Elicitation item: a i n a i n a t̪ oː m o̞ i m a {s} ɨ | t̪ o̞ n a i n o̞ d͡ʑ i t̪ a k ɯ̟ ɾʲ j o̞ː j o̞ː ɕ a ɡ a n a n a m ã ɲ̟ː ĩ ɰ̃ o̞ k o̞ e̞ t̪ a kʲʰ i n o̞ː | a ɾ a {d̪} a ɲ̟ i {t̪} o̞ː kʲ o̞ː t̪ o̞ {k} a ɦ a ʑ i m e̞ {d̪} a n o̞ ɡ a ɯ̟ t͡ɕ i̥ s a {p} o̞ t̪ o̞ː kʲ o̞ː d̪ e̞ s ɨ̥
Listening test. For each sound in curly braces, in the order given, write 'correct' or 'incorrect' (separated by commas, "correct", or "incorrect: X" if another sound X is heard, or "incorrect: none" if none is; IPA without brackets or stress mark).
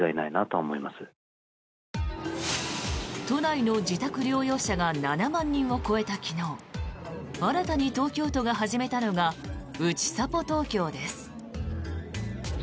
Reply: correct, incorrect: t̪, correct, incorrect: ɡ, incorrect: t̪, correct